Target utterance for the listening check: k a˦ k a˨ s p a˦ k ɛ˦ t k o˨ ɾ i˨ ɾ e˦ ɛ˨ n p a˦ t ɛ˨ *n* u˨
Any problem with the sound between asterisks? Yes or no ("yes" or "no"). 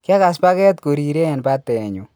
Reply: yes